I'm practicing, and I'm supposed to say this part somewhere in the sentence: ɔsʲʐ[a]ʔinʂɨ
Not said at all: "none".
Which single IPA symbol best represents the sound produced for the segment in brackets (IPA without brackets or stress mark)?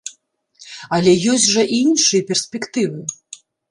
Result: ɐ